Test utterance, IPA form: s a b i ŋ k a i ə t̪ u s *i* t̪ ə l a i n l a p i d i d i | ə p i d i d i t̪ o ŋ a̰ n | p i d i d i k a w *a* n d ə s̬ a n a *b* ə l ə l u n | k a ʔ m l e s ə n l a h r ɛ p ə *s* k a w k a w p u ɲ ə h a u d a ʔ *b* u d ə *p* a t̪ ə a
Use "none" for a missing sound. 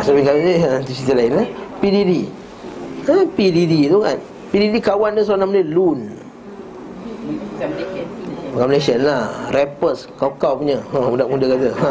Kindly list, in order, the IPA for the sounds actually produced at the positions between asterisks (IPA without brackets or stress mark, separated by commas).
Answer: i, a, m, s, m, k